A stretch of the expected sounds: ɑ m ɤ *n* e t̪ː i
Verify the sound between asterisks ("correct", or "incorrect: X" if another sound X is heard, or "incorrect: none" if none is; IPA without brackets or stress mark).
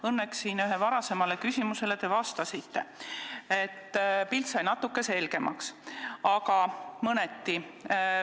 correct